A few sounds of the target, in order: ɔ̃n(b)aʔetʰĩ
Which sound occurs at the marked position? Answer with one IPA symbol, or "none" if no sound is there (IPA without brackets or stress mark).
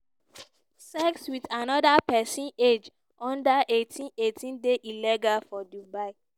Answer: d